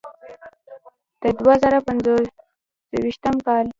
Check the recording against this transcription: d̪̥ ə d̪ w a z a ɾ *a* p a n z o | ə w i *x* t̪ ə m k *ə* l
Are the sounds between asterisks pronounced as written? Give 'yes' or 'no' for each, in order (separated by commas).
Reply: yes, no, no